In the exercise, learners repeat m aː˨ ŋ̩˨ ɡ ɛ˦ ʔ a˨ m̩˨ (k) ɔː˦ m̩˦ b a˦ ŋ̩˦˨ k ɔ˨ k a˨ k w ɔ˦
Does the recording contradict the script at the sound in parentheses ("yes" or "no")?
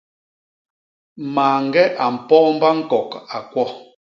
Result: yes